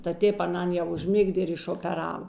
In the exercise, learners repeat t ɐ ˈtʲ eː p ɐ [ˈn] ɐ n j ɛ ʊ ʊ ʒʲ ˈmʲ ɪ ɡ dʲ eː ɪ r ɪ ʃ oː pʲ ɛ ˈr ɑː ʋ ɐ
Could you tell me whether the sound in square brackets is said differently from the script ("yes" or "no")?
no